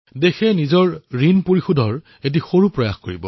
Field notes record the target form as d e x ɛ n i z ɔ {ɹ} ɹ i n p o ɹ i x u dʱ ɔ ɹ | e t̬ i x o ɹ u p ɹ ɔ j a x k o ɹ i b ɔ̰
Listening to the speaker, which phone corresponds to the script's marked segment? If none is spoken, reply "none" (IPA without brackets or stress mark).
ɹ